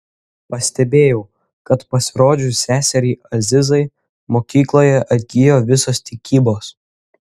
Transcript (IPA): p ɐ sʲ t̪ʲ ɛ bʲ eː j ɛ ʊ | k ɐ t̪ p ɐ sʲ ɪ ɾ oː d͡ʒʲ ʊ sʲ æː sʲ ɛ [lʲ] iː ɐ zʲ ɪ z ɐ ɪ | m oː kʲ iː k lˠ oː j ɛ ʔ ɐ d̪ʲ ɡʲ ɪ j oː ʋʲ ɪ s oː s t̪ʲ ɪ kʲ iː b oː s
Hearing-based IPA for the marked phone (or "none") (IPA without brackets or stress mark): ɾʲ